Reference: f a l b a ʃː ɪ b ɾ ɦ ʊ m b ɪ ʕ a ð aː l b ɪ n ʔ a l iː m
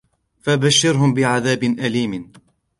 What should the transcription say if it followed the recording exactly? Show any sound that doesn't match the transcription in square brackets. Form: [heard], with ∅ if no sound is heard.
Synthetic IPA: f a [∅] b a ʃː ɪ [∅] ɾ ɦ ʊ m b ɪ ʕ a ð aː [∅] b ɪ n ʔ a l iː m